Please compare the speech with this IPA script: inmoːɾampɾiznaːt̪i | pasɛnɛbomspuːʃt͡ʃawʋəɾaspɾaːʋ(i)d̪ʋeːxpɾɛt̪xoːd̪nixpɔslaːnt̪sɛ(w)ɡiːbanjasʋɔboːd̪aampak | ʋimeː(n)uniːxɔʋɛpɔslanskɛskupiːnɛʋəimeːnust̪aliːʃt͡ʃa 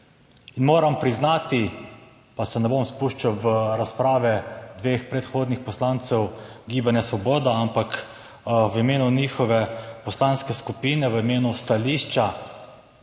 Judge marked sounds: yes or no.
no, yes, yes

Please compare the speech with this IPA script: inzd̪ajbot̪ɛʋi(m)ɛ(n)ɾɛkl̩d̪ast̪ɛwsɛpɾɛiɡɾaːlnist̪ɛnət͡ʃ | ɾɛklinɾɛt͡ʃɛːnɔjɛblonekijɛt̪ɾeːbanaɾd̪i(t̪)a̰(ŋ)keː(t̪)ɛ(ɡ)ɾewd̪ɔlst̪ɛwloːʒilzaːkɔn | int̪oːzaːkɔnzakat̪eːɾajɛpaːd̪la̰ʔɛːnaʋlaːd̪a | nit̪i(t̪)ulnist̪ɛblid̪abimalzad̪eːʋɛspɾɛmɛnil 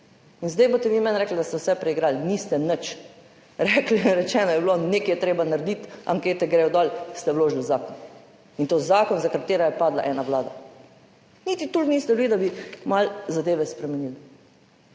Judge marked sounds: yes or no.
yes, yes, yes, yes, yes, yes, yes

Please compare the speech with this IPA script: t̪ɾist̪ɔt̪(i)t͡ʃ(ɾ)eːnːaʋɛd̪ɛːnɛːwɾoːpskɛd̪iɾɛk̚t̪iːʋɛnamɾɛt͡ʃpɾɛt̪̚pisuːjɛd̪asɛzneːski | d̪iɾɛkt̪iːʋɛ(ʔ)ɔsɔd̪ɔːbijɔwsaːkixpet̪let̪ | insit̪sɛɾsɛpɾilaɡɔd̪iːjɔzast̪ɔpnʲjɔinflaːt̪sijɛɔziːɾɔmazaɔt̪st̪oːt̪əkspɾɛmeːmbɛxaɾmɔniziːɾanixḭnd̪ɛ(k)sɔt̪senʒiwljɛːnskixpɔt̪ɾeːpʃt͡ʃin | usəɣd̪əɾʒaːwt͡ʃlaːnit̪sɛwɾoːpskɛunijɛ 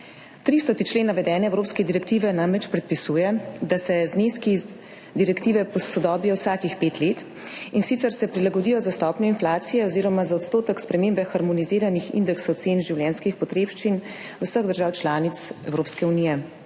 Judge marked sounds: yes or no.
yes, no, no, yes

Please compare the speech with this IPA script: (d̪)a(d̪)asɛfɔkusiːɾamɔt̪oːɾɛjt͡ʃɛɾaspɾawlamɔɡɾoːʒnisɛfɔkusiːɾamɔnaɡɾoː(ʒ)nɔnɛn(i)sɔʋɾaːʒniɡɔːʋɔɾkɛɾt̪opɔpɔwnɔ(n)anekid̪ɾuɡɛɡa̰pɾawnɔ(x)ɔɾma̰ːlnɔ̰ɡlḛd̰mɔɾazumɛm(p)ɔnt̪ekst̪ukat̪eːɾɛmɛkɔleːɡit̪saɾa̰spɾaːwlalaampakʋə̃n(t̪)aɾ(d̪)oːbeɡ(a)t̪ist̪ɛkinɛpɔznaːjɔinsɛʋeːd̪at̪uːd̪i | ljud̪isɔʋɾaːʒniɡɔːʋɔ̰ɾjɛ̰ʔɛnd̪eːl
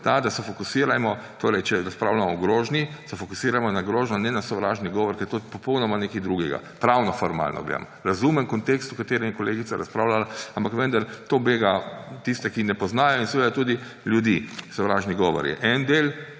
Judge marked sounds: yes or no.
no, yes, yes, no, no, no, no, no, no, yes

